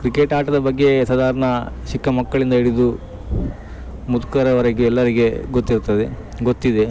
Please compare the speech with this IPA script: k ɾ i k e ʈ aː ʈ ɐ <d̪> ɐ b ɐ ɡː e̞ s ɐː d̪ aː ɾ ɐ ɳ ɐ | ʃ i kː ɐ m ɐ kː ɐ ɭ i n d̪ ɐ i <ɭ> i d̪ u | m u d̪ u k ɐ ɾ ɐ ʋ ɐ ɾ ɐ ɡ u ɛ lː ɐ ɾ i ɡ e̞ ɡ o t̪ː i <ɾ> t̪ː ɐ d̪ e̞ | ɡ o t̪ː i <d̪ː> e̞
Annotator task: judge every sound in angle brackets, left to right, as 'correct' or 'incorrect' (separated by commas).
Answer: correct, incorrect, correct, incorrect